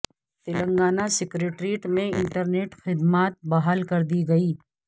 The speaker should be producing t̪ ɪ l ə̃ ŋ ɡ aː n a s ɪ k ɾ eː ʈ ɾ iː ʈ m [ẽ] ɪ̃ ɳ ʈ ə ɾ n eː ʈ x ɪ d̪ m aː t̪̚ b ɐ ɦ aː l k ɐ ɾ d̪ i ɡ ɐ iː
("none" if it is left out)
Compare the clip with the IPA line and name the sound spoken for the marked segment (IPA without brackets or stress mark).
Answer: ẽ